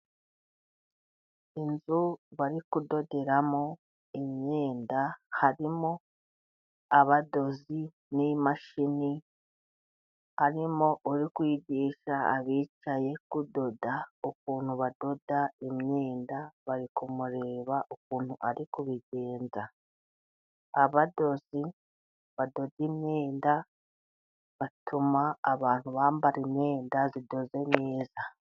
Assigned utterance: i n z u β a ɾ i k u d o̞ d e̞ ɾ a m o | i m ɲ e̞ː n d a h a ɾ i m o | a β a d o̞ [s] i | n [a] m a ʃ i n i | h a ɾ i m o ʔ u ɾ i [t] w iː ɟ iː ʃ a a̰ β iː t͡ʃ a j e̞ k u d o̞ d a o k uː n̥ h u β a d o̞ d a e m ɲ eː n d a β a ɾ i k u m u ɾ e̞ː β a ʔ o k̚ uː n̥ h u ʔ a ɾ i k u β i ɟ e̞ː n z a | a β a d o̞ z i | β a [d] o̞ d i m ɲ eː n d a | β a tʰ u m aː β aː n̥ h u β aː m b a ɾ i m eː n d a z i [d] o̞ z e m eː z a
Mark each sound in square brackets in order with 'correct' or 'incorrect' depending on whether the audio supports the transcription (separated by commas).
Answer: incorrect, incorrect, incorrect, correct, correct